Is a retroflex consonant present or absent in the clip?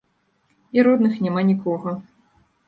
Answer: absent